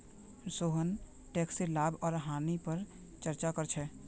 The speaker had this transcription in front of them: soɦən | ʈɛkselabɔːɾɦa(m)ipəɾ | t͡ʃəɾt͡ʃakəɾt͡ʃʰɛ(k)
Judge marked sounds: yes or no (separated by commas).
no, no